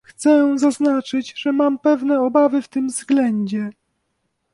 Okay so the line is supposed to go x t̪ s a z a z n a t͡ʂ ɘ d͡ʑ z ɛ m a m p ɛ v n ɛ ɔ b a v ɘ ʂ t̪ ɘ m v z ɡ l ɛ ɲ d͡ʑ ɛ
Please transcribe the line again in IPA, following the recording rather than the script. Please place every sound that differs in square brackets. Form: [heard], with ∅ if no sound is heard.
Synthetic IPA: x t̪ s [ɛ] z a z n a t͡ʂ ɘ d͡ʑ [ʐ] ɛ m a m p ɛ v n ɛ ɔ b a v ɘ [f] t̪ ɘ m v z ɡ l ɛ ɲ d͡ʑ ɛ